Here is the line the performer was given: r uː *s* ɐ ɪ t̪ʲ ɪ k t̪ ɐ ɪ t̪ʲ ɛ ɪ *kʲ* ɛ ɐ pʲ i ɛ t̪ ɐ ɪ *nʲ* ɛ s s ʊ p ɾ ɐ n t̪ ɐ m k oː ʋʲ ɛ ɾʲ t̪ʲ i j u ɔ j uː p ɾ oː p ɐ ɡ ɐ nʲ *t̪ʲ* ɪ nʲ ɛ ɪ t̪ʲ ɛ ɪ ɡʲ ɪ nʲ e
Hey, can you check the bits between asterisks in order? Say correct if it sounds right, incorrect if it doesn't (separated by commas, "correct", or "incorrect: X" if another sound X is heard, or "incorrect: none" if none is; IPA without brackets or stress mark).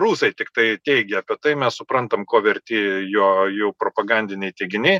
correct, incorrect: ɡʲ, incorrect: mʲ, incorrect: d̪ʲ